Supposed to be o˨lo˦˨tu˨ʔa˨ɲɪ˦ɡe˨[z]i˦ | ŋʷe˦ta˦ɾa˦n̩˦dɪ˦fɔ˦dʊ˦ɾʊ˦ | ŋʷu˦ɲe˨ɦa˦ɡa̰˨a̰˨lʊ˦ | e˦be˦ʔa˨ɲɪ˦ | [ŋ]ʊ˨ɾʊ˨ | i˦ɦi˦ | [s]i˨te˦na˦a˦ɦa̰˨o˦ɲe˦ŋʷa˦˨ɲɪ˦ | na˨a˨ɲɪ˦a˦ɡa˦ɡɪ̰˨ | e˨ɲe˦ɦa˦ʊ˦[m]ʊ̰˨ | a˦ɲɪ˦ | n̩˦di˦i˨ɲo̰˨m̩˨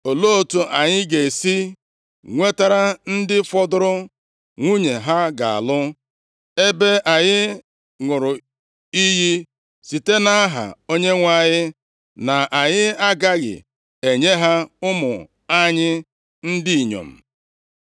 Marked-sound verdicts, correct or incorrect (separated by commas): incorrect, correct, correct, correct